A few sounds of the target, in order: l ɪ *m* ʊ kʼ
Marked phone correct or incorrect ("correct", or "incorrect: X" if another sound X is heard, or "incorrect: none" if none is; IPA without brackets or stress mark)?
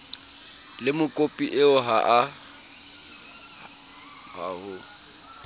correct